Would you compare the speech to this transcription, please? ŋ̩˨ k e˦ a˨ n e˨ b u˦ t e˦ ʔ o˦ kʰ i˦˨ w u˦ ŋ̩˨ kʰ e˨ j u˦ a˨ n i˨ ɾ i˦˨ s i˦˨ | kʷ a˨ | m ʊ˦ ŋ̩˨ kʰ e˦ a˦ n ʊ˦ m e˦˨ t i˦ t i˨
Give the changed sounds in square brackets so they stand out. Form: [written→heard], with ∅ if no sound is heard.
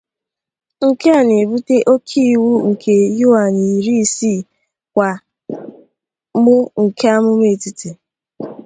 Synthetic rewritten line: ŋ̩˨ k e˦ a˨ n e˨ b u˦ t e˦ ʔ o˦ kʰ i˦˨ w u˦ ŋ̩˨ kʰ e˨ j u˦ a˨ n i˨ ɾ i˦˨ s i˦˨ | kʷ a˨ | m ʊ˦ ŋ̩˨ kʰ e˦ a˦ [n→m] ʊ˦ m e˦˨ t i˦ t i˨